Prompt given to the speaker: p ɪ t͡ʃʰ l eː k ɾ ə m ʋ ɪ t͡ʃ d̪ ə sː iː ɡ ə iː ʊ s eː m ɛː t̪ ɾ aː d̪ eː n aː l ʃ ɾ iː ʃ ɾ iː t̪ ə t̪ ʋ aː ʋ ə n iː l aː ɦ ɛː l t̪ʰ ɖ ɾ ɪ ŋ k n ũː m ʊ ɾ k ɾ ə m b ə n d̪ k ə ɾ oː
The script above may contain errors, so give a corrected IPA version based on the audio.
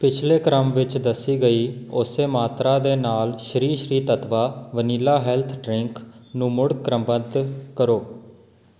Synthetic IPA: p ɪ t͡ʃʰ l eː k ɾ ə m ʋ ɪ t͡ʃ d̪ ə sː iː ɡ ə iː ʊ s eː m aː t̪ ɾ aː d̪ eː n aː l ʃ ɾ iː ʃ ɾ iː t̪ ə t̪ ʋ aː ʋ ə n iː l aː ɦ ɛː l t̪ʰ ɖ ɾ ɪ ŋ k n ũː m ʊ ɽ k ɾ ə m b ə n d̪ k ə ɾ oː